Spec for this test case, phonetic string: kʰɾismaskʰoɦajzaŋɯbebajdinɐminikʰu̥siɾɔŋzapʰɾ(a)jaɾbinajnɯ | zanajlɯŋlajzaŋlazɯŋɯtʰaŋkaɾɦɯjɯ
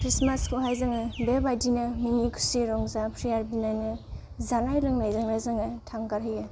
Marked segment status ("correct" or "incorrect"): incorrect